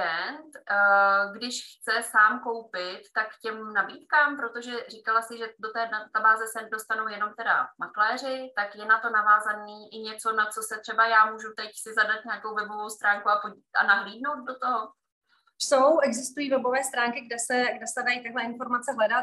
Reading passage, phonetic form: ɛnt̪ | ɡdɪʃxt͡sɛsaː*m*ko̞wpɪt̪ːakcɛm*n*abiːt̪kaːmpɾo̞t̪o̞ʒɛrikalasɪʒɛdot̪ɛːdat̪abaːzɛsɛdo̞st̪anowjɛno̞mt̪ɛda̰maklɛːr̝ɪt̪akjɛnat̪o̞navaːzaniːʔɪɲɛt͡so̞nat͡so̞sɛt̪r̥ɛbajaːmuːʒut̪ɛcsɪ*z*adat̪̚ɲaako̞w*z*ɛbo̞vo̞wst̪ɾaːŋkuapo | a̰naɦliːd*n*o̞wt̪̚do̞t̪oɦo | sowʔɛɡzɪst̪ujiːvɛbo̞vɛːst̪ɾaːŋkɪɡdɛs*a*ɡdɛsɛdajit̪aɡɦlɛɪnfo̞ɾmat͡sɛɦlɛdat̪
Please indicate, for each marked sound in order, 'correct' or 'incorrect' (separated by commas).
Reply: correct, correct, correct, incorrect, correct, incorrect